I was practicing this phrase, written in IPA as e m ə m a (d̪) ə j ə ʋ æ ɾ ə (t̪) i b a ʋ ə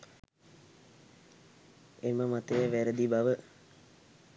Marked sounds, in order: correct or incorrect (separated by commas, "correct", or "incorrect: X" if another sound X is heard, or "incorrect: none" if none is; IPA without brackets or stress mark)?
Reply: incorrect: t̪, incorrect: d̪